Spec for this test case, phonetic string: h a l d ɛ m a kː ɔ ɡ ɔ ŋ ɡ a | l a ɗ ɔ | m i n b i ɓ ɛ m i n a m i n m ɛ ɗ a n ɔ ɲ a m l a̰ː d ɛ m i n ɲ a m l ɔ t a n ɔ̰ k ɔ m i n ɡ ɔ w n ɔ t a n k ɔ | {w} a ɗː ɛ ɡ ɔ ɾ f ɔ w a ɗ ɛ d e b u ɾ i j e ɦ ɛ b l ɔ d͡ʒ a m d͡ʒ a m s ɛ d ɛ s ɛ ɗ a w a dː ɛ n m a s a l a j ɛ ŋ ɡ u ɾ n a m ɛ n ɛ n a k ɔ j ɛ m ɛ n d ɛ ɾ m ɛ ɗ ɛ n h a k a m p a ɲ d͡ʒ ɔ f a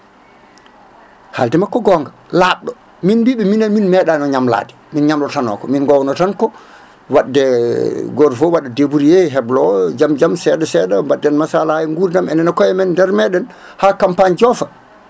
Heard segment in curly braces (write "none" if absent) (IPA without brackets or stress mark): w